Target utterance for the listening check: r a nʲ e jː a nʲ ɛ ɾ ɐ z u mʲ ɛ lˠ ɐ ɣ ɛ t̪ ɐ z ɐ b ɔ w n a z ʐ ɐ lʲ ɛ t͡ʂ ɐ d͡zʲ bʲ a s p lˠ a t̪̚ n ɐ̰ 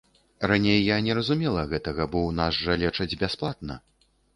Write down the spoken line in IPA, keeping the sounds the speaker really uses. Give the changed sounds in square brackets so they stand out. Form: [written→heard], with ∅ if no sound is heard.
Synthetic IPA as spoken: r a nʲ e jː a nʲ ɛ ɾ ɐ z u mʲ ɛ lˠ ɐ ɣ ɛ t̪ ɐ [z→ɣ] ɐ b ɔ w n a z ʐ ɐ lʲ ɛ t͡ʂ ɐ d͡zʲ bʲ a s p lˠ a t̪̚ n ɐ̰